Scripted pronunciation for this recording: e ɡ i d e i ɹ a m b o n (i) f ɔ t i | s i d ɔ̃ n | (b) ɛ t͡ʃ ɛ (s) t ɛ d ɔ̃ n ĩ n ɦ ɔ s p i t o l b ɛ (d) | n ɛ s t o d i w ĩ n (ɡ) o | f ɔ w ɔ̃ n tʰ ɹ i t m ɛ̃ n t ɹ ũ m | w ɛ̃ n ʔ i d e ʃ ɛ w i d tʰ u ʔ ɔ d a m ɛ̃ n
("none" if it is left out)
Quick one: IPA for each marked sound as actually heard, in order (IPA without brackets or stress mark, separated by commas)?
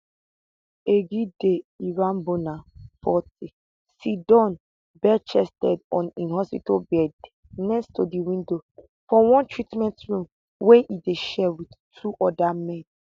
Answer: a, b, s, d, d